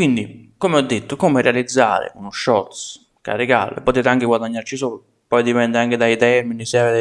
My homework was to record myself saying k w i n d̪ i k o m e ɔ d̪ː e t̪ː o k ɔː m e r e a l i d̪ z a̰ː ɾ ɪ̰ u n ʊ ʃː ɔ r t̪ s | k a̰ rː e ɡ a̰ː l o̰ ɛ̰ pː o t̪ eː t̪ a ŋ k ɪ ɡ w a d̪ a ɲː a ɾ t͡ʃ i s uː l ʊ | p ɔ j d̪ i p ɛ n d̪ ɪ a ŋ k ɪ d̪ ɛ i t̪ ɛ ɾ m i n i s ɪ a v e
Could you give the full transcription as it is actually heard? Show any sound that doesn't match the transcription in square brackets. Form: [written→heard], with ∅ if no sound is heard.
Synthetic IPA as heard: k w i n d̪ i k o m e ɔ d̪ː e t̪ː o k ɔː m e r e a l i d̪ [z→zː] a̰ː ɾ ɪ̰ u n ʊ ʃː ɔ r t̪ s | k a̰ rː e ɡ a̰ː l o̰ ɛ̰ pː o t̪ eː t̪ a ŋ k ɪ ɡ w a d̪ a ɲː a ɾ t͡ʃ i s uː l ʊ | p ɔ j d̪ i p ɛ n d̪ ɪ a ŋ k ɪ d̪ [ɛ→a] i t̪ ɛ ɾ m i n i s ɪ a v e